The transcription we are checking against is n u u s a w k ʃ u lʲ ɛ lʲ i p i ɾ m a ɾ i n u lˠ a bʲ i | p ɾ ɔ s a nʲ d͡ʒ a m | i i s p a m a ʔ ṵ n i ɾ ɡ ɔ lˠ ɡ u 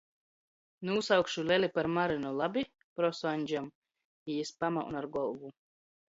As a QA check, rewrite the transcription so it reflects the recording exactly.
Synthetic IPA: n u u s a w k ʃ u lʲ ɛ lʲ i p a ɾ m a ɾ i n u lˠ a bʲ i | p ɾ ɔ s a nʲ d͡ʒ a m | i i s p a m a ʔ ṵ n a ɾ ɡ ɔ lˠ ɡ u